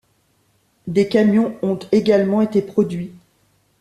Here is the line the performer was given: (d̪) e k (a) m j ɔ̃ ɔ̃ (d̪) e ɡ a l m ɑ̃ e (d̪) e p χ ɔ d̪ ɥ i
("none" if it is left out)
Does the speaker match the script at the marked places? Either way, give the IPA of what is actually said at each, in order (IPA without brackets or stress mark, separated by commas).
d̪, a, t̪, t̪